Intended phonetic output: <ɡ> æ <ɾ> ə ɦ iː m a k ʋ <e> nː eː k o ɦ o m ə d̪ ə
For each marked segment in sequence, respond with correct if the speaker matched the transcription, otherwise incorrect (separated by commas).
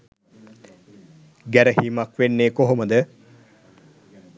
correct, correct, correct